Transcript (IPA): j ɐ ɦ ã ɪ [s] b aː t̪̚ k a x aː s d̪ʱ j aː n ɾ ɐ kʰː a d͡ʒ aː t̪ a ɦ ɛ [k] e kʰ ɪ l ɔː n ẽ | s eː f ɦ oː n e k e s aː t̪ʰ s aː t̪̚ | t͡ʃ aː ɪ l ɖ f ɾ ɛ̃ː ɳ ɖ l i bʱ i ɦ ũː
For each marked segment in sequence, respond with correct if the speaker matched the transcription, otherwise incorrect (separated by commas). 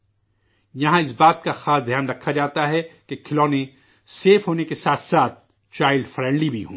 correct, correct